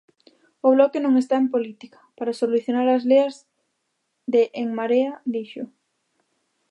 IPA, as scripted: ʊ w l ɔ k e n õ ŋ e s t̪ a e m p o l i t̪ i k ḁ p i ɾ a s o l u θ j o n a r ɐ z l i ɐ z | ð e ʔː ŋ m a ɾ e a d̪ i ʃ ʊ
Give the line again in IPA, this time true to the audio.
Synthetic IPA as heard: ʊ β l ɔ k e n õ ŋ e s t̪ a e m p o l i t̪ i k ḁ p a ɾ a s o l u θ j o n a ɾ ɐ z l e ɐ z | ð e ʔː ŋ m a ɾ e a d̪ i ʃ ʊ